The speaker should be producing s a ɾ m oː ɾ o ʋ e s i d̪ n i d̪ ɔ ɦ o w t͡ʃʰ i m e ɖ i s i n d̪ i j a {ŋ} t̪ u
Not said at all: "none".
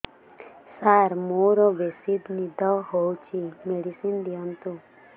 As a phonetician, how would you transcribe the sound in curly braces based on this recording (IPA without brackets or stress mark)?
n